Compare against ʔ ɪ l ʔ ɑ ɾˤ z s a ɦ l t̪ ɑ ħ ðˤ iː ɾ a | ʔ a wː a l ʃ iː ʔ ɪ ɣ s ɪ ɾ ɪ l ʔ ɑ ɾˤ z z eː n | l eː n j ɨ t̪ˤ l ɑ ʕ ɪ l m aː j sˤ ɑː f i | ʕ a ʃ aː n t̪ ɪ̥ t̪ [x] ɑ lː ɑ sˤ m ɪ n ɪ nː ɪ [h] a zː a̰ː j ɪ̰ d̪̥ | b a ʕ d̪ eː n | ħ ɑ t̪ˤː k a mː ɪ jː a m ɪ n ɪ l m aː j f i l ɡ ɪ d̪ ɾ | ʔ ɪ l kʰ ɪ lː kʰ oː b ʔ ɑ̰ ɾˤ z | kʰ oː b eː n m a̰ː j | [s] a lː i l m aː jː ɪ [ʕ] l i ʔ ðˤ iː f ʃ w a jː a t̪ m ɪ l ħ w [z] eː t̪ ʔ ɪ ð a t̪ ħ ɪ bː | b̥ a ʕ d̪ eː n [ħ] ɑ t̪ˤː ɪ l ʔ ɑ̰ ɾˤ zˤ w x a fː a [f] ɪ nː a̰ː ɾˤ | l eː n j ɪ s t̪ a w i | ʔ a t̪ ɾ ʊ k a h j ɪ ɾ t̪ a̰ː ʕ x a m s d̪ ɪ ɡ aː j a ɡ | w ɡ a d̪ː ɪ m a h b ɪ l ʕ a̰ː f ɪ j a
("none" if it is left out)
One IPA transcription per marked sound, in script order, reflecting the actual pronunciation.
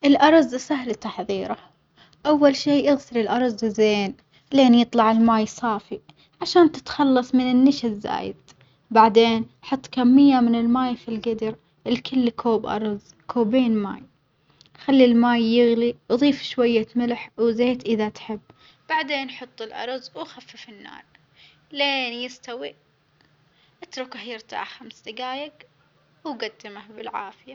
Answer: x, ʃ, x, ɣ, z, ħ, f

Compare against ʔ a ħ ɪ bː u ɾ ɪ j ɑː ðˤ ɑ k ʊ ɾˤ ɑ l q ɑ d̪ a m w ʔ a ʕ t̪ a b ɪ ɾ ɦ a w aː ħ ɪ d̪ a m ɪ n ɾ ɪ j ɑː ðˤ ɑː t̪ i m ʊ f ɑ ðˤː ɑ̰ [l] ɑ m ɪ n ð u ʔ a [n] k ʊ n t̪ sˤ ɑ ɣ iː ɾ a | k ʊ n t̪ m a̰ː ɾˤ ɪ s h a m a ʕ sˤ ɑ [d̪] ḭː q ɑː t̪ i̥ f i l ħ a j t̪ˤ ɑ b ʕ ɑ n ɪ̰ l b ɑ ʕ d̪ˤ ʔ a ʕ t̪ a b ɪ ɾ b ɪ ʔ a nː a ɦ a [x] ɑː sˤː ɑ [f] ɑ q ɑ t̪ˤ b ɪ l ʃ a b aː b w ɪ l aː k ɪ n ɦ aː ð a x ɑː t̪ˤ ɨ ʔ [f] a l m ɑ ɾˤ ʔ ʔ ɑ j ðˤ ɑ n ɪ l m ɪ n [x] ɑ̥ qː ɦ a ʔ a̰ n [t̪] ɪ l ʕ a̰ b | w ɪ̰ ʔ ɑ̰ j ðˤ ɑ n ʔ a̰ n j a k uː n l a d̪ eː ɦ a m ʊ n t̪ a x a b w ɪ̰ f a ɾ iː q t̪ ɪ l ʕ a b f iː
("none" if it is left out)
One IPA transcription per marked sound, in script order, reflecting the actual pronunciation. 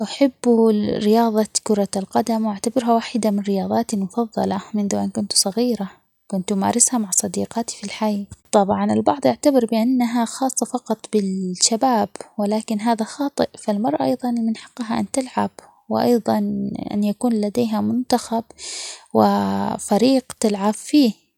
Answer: l, n, d̪, x, f, f, ħ, t̪

